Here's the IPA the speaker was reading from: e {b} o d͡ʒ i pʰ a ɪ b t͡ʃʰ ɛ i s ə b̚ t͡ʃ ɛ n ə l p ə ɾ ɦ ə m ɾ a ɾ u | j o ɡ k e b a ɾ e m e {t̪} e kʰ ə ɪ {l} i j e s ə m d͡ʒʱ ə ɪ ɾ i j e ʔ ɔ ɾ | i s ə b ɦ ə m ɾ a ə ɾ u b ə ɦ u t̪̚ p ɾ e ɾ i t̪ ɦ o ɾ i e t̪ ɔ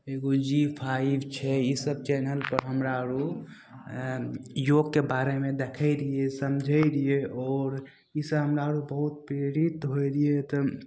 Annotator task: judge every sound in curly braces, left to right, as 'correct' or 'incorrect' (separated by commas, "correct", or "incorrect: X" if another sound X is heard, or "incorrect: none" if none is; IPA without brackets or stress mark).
incorrect: ɡ, incorrect: d̪, incorrect: ɾ